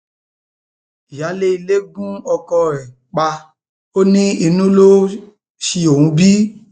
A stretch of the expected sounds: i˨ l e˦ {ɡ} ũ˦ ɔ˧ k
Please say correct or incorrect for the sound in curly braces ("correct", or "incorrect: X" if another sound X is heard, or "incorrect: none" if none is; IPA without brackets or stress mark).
correct